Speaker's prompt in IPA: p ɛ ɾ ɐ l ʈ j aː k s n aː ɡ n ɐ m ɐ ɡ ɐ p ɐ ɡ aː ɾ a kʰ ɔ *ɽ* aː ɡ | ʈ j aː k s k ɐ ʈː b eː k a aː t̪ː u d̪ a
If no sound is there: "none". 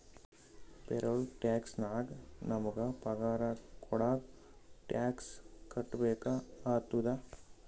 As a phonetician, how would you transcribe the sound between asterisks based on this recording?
ɽ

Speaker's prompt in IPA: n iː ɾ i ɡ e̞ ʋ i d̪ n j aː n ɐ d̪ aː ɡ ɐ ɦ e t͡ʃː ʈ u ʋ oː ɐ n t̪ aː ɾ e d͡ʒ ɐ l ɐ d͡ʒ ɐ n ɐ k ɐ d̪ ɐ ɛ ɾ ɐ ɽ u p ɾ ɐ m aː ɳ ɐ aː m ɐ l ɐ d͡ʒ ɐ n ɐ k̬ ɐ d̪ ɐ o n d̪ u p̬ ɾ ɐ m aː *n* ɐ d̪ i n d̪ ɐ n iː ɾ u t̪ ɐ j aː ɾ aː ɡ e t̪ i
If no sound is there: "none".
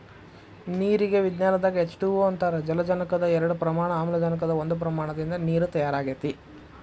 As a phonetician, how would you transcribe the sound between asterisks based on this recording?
ɳ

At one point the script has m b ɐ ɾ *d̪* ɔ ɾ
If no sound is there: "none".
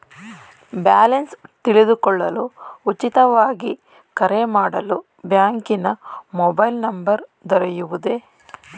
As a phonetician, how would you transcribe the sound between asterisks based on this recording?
d̪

